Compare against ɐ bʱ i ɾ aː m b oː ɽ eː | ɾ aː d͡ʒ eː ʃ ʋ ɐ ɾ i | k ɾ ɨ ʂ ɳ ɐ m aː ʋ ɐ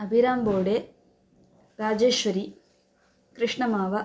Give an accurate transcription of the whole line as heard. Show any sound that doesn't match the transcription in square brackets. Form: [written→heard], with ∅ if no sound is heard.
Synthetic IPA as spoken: ɐ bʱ i ɾ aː m b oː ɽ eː | ɾ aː d͡ʒ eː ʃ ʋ ɐ ɾ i | k ɾ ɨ ʂ ɳ ɐ m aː ʋ ɐ